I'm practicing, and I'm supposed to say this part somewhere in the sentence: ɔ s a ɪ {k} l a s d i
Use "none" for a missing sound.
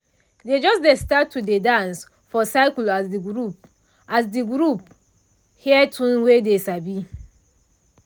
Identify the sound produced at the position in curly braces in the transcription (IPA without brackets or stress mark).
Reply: k